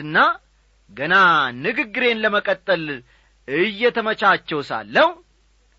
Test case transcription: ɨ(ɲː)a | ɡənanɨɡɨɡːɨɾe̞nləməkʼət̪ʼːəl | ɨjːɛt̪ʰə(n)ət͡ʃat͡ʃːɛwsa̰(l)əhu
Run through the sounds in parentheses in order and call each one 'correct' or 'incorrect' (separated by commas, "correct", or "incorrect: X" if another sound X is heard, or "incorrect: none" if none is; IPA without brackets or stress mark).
incorrect: nː, incorrect: m, incorrect: lː